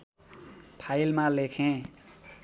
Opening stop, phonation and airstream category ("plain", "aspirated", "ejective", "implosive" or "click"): aspirated